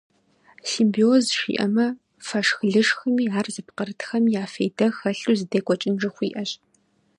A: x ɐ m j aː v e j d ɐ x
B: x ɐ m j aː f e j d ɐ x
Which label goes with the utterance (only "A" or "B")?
B